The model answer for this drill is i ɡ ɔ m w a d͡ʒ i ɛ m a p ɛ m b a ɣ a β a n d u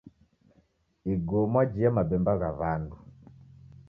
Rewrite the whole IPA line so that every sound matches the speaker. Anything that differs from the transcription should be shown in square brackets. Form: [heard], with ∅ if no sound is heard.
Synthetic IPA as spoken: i ɡ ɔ m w a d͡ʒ i [a] m a [b] ɛ m b a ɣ a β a n d u